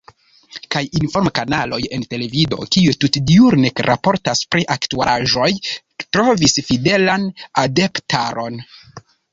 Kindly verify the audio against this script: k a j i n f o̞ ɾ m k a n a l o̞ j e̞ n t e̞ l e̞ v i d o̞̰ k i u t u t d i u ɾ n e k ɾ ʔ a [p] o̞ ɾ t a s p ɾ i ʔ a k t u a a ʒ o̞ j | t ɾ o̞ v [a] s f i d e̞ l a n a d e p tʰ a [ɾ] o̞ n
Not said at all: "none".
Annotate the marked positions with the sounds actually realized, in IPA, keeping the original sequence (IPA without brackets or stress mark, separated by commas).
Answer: p, i, ɾ